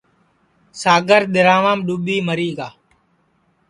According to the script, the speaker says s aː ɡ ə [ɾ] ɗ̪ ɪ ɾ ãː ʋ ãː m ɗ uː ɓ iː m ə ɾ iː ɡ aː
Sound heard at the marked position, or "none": ɾ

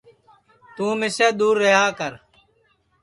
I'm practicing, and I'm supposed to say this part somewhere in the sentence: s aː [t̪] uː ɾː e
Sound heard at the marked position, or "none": d̪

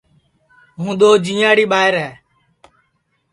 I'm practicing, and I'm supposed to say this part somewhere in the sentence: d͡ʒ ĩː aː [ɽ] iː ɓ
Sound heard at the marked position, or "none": ɽ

